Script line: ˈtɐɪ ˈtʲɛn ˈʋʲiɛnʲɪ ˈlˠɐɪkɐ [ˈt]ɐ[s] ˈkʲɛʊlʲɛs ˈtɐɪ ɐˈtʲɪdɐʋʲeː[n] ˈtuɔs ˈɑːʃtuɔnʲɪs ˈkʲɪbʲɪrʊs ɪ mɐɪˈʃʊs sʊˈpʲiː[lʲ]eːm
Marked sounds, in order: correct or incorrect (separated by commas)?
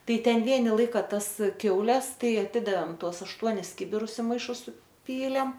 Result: correct, correct, incorrect, correct